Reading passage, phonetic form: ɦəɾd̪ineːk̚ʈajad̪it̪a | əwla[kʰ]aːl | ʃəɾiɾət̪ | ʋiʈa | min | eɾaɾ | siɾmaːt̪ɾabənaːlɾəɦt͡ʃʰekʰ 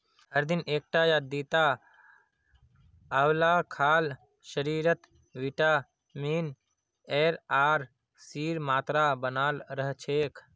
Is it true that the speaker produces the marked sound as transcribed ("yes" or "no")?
yes